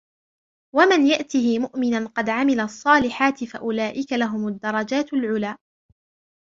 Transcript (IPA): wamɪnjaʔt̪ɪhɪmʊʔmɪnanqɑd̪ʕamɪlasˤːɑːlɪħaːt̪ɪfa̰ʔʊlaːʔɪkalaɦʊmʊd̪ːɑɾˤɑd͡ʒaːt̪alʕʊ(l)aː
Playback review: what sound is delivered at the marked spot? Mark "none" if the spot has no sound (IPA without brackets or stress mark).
l